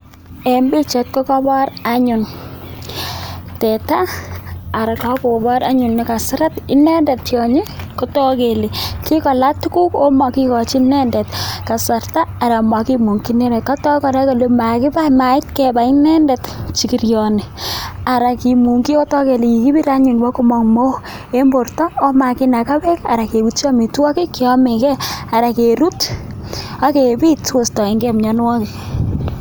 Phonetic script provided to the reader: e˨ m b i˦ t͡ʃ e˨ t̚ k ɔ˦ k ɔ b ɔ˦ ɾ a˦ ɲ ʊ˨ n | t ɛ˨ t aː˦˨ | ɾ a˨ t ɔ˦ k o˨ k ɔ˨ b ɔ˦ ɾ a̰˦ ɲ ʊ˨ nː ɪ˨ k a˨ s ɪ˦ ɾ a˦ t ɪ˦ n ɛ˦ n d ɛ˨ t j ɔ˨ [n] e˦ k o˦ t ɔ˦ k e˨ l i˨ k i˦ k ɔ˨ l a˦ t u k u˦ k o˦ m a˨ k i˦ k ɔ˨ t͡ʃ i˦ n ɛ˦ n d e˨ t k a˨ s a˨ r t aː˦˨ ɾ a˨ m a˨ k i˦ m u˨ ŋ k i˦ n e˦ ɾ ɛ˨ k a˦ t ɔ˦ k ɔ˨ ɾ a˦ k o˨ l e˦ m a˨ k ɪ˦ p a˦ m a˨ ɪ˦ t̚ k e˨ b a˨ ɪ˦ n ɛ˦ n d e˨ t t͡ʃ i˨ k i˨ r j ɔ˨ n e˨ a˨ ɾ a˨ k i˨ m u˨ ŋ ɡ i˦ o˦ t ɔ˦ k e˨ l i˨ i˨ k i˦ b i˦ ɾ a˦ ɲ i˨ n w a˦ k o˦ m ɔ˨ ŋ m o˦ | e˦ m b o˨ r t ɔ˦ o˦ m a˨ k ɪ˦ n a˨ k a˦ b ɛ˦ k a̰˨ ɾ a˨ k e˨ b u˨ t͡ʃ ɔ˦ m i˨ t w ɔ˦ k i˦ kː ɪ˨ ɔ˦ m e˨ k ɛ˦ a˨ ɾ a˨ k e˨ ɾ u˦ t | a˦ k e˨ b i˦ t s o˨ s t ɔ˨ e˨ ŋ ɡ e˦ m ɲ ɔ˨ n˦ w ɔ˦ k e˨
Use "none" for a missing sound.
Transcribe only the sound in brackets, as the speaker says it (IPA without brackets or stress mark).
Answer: ɲ